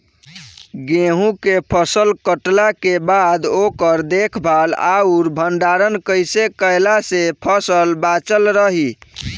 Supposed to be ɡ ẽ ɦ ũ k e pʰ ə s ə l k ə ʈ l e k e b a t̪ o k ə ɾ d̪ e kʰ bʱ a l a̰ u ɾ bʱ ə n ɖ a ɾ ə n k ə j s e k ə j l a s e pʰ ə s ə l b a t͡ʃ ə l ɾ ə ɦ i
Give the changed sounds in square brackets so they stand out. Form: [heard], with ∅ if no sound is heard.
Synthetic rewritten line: ɡ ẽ ɦ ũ k e pʰ ə s ə l k ə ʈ l [a] k e b a [d̪] o k ə ɾ d̪ e kʰ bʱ a l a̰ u ɾ bʱ ə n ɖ a ɾ ə n k ə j s e k ə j l a s e pʰ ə s ə l b a t͡ʃ ə l ɾ ə ɦ i